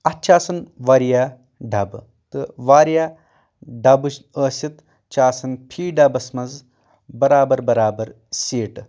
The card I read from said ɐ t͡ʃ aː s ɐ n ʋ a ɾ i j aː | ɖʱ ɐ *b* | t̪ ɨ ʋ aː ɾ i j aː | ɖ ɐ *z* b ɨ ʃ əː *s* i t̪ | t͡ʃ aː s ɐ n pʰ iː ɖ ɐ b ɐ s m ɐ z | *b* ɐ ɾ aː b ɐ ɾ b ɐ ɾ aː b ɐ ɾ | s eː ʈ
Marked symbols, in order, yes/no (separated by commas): yes, no, yes, yes